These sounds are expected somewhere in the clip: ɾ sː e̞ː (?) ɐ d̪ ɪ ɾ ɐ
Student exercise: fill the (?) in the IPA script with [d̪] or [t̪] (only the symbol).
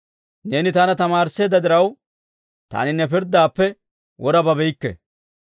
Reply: d̪